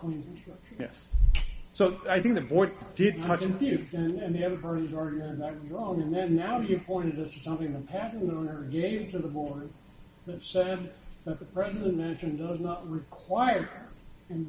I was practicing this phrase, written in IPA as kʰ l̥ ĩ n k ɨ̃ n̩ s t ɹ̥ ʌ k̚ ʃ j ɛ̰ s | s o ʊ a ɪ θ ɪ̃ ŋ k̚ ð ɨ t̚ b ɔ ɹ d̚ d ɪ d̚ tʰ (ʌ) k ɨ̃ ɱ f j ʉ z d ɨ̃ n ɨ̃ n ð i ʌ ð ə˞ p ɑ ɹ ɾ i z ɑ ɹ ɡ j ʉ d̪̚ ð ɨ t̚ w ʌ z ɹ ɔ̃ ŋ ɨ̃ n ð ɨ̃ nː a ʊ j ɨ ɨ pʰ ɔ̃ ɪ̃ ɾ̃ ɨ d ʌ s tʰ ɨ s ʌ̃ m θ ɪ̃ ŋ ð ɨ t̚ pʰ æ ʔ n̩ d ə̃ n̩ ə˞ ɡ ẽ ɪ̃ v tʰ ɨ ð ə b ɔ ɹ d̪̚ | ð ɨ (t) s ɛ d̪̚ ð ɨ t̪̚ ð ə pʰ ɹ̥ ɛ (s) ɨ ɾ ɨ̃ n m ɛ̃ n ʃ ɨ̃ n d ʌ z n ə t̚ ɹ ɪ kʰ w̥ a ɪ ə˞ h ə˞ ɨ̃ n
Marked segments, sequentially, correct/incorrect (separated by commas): correct, correct, incorrect